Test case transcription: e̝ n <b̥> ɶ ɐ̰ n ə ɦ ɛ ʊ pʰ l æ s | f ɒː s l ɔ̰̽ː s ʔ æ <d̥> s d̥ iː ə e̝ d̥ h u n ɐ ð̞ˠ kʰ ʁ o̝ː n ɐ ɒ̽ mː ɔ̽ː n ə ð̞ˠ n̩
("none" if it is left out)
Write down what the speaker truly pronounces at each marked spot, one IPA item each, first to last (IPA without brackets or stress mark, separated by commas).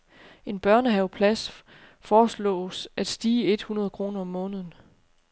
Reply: b̥, d̥